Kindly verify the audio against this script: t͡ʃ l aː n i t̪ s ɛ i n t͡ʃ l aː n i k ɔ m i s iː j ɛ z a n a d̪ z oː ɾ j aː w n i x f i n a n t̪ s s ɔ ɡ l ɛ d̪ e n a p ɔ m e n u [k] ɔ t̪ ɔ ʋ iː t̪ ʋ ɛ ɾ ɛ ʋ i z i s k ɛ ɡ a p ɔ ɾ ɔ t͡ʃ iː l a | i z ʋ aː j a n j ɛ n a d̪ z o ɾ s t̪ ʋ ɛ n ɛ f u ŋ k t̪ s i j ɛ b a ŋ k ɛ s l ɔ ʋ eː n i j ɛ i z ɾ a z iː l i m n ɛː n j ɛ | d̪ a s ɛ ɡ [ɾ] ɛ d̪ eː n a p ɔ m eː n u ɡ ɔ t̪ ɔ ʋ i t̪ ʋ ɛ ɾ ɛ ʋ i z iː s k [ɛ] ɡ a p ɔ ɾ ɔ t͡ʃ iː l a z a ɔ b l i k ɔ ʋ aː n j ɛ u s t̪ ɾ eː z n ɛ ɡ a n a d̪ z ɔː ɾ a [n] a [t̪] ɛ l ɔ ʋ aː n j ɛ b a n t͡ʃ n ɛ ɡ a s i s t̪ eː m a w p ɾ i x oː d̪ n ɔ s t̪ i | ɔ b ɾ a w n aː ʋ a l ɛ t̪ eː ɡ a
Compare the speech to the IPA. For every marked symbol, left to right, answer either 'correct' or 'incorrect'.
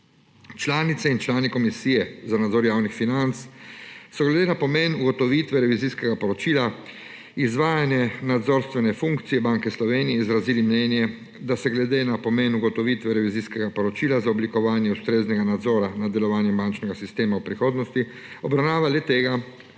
incorrect, incorrect, correct, correct, incorrect

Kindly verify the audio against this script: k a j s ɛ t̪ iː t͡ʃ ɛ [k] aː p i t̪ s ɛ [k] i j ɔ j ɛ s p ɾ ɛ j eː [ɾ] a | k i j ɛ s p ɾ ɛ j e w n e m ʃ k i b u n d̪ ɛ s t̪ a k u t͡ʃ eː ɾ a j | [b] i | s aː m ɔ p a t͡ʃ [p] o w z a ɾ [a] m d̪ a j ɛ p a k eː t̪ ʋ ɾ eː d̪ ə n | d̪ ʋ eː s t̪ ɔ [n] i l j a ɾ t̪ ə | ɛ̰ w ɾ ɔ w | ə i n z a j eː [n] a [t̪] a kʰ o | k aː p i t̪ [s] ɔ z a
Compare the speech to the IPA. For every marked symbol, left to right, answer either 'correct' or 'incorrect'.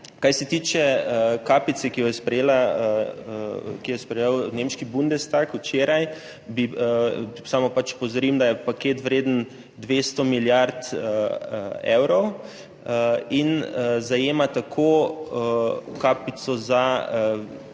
correct, correct, incorrect, correct, correct, incorrect, incorrect, incorrect, correct, correct

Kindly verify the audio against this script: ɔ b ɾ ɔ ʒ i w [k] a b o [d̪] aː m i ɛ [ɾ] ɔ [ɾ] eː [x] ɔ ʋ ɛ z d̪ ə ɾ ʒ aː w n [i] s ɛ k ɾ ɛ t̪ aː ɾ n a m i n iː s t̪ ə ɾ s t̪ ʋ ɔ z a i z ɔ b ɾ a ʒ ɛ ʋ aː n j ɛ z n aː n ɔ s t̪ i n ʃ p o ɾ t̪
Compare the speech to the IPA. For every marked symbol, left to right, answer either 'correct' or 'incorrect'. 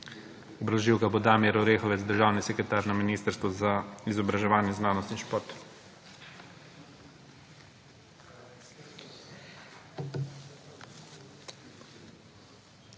correct, correct, correct, correct, correct, correct

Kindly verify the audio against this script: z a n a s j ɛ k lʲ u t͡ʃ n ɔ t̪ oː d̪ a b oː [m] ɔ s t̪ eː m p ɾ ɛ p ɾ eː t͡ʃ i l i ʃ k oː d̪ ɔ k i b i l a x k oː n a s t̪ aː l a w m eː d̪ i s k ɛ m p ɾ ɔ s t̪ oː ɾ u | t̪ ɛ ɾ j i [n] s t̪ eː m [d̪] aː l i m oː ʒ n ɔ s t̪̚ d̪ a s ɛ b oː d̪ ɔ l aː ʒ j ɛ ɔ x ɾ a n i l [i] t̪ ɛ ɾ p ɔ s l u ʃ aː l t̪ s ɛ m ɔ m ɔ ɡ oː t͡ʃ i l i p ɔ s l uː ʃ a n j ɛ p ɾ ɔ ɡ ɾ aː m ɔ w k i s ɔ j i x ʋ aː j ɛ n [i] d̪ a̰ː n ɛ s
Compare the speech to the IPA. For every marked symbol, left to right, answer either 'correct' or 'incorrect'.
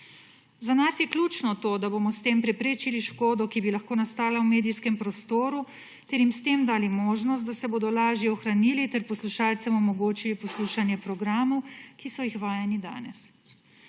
correct, incorrect, correct, correct, correct

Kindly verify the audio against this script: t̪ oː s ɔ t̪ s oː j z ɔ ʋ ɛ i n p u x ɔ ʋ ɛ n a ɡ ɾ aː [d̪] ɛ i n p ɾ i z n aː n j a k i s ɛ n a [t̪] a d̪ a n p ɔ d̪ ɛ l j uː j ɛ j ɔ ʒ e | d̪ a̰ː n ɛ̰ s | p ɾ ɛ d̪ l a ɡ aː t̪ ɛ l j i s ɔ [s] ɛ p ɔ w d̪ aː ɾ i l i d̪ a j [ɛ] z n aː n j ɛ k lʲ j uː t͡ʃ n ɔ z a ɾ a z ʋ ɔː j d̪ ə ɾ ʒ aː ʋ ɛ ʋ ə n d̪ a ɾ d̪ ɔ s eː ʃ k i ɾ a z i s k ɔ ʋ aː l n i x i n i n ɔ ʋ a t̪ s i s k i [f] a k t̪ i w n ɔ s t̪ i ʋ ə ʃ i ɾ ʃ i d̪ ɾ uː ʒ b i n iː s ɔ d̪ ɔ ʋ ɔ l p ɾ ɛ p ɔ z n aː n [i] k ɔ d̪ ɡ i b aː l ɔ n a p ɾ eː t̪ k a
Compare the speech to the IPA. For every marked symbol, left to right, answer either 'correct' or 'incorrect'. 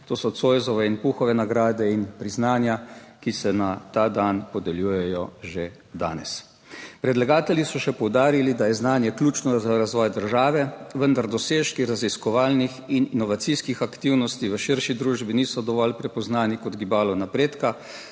correct, correct, incorrect, correct, incorrect, correct

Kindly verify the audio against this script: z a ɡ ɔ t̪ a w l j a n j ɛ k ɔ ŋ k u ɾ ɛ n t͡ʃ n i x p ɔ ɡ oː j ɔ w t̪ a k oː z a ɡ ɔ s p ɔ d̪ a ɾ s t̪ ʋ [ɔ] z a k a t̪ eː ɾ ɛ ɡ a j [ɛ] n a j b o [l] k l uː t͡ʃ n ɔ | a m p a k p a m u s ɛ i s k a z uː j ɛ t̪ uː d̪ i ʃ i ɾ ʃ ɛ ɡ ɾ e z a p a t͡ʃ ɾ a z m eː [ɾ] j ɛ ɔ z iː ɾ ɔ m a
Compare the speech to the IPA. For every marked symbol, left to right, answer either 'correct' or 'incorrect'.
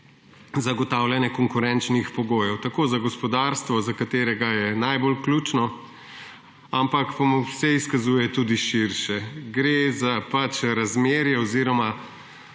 correct, correct, correct, correct

